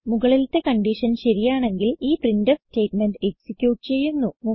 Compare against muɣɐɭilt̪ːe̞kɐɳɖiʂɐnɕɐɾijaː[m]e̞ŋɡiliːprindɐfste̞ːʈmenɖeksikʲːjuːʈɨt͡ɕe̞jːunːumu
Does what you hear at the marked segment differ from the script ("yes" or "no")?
yes